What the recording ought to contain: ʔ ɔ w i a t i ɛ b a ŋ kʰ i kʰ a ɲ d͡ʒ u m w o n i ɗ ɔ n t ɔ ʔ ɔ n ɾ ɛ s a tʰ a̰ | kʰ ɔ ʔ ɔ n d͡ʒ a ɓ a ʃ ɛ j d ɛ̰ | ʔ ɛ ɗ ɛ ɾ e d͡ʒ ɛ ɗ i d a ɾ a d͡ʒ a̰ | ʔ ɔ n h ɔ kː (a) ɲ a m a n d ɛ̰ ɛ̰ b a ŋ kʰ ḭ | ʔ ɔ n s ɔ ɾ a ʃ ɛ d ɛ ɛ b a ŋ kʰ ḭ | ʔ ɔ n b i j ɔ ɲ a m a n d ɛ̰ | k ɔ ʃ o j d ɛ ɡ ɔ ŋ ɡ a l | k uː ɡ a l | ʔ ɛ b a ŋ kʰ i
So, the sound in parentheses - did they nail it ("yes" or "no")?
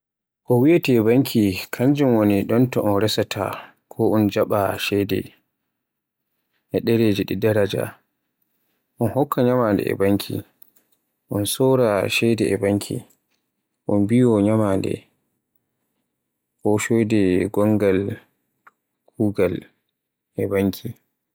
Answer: yes